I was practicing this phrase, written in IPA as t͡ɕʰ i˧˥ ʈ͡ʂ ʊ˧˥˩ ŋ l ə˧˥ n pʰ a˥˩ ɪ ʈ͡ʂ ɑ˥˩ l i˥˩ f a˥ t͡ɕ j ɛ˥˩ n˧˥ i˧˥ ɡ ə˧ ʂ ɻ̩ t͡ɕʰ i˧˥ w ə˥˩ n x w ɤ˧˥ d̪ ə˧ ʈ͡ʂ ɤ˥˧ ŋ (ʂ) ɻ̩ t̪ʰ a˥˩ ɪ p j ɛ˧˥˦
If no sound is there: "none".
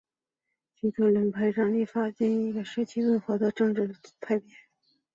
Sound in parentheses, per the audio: ʈ͡ʂ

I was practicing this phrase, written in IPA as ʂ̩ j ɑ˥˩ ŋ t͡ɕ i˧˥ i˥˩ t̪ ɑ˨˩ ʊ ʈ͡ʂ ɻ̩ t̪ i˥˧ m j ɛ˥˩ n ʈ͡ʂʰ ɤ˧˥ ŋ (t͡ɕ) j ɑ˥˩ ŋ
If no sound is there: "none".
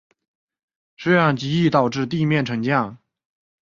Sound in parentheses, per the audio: t͡ɕ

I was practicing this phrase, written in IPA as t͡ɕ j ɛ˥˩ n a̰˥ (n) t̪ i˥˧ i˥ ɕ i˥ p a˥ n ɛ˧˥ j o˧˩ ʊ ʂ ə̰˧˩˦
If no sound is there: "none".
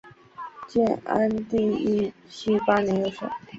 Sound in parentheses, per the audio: n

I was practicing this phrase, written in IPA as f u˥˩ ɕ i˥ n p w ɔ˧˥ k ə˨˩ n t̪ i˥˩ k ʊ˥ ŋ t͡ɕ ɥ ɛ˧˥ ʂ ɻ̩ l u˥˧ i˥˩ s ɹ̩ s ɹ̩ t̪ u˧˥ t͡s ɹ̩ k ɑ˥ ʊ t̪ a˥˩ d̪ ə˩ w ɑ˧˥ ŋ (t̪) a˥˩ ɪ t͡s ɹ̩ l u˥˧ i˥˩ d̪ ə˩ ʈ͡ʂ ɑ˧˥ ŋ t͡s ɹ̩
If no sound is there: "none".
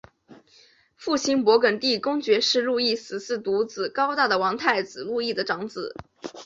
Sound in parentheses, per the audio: t̪ʰ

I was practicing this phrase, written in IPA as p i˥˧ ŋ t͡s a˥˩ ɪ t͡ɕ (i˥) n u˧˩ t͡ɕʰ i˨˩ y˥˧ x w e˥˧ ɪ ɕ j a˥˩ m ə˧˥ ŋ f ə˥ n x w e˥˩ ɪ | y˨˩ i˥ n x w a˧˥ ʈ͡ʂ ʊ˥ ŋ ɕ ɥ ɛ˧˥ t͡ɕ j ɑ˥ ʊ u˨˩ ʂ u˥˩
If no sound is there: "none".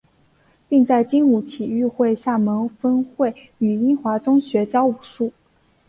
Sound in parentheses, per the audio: i˥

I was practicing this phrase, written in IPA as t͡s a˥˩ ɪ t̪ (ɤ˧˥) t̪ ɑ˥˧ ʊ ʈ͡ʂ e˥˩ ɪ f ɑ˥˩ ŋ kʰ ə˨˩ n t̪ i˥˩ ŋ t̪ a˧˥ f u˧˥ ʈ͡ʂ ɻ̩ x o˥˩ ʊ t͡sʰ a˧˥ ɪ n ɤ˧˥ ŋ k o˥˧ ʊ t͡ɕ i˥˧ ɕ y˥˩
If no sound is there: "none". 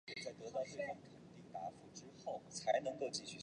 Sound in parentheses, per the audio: ɤ˧˥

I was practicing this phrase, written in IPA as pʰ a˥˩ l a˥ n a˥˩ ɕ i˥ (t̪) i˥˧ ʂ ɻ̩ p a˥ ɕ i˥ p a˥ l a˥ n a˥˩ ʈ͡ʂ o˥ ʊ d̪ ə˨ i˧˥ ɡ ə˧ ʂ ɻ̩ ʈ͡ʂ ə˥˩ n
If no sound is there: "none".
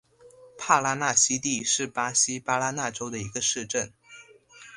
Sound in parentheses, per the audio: t̪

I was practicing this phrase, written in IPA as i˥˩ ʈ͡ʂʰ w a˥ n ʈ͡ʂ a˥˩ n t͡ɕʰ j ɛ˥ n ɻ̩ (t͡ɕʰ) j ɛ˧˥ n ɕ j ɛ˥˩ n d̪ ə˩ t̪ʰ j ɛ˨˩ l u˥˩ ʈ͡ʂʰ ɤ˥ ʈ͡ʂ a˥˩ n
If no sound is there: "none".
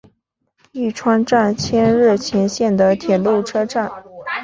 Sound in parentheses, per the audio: t͡ɕʰ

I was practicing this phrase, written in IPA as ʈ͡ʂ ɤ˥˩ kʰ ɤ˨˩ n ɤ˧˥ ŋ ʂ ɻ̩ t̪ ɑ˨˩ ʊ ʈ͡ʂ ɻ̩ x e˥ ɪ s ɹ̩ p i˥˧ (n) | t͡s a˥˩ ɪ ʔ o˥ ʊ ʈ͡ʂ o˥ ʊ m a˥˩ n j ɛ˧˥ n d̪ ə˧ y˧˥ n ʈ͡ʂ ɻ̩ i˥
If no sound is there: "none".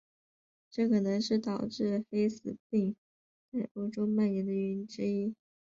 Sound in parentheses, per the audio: ŋ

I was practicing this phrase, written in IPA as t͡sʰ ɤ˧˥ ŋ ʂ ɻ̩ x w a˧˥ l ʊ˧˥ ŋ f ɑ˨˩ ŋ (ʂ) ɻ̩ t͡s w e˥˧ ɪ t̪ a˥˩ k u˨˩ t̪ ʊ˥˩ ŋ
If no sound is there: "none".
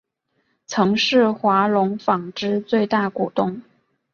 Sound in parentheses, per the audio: ʈ͡ʂ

